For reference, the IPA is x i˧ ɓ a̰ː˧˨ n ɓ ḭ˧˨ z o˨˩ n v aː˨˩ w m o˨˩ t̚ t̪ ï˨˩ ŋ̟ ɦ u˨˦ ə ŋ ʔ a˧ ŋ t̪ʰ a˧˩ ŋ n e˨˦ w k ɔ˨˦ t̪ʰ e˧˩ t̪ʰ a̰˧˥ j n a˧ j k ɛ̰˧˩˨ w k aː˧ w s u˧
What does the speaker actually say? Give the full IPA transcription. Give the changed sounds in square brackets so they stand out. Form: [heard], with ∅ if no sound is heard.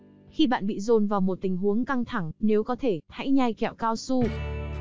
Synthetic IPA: x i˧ ɓ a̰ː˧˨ n ɓ ḭ˧˨ z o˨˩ n v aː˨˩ w m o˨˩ t̚ t̪ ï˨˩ ŋ̟ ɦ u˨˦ ə ŋ [k] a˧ ŋ t̪ʰ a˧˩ ŋ n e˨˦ w k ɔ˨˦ t̪ʰ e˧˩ t̪ʰ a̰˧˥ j [ɲ] a˧ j k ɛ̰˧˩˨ w k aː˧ w s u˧